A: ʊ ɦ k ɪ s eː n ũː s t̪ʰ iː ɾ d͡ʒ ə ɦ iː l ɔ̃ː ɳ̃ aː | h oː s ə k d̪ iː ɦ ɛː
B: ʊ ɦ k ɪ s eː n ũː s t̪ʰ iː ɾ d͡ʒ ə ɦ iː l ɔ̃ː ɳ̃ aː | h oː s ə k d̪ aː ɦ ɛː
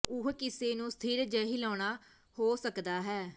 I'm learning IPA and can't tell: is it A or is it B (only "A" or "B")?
B